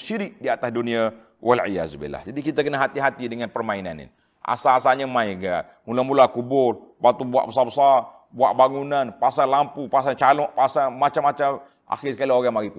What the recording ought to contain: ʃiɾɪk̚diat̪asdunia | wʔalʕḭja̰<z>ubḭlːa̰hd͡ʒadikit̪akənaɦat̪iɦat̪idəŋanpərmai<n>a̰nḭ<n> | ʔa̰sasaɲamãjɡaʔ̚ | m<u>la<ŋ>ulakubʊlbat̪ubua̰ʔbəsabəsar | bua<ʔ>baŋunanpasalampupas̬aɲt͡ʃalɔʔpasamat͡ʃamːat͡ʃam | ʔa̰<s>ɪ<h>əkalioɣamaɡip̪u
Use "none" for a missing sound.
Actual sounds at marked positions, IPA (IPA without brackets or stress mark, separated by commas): z, n, n, u, m, ʔ, x, s